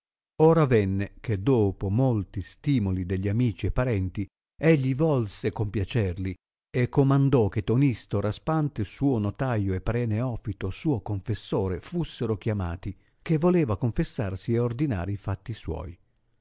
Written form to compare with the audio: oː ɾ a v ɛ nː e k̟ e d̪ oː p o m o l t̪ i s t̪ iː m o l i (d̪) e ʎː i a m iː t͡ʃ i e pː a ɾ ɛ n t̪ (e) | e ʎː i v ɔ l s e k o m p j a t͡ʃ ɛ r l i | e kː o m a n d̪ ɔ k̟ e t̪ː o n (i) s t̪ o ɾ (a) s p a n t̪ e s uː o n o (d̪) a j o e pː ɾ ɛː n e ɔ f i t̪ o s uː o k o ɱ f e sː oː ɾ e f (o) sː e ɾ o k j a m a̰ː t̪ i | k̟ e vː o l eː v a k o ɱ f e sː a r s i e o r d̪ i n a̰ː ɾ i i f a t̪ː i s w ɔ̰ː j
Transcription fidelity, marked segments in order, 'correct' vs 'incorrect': correct, incorrect: i, correct, correct, incorrect: t̪, incorrect: u

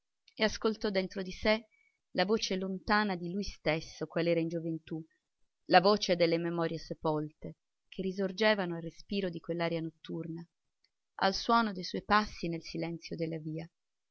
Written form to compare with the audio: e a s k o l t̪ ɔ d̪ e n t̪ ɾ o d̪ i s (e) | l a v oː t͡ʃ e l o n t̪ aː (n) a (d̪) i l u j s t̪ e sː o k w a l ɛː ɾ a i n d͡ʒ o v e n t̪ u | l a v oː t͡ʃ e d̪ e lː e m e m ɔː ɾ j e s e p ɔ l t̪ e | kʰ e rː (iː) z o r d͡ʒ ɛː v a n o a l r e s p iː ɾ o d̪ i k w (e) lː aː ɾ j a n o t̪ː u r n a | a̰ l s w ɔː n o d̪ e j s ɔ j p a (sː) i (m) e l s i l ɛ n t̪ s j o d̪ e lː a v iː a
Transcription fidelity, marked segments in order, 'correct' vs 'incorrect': correct, correct, correct, incorrect: i, correct, correct, incorrect: n

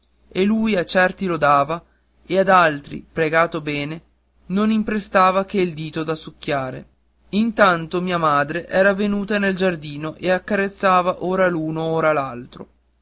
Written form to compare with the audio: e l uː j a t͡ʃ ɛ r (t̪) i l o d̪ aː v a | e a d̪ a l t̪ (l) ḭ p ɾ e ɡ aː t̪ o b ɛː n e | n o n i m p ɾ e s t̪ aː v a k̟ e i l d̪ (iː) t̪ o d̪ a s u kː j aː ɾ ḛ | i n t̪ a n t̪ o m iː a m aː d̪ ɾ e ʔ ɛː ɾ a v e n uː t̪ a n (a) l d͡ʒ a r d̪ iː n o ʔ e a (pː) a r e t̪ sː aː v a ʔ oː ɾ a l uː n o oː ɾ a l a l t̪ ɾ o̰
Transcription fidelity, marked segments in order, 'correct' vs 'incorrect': correct, incorrect: ɾ, correct, incorrect: e, incorrect: kː

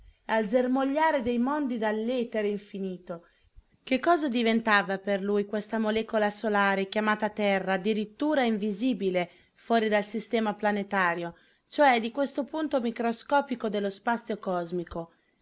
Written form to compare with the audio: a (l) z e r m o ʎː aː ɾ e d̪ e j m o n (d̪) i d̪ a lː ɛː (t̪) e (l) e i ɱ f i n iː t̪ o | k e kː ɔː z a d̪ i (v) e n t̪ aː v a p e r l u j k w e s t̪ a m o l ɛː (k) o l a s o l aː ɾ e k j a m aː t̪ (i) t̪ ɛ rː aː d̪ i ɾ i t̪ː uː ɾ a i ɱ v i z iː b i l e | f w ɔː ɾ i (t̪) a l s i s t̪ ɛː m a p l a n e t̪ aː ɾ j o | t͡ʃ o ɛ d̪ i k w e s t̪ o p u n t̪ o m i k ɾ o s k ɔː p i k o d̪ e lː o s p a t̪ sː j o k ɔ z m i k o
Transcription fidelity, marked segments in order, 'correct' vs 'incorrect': correct, correct, correct, incorrect: ɾ, correct, correct, incorrect: a, incorrect: d̪

